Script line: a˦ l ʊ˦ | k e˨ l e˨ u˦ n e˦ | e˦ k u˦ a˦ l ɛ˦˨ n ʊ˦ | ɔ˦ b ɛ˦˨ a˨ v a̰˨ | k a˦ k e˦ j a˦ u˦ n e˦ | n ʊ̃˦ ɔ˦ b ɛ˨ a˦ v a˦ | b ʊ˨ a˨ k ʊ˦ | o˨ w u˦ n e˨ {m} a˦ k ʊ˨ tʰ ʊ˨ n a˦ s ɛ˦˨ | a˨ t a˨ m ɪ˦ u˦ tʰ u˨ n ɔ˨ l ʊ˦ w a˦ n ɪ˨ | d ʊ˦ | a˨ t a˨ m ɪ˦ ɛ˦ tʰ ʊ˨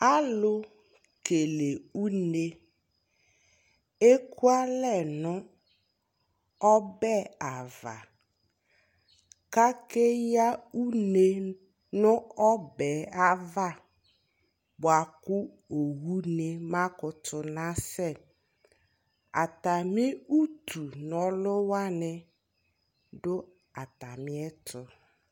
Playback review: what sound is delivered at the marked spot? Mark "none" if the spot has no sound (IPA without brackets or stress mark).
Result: m